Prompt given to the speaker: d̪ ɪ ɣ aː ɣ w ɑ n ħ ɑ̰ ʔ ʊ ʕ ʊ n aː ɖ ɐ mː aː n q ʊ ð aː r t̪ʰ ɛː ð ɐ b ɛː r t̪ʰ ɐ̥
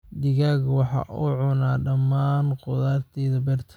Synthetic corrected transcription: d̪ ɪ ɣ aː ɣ w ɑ ħ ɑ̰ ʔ ʊ ʕ ʊ n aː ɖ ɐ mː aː n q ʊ ð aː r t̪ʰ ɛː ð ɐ b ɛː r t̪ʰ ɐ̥